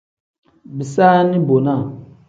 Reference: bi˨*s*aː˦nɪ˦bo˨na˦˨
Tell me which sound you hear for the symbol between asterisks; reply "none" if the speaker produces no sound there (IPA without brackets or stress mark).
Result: s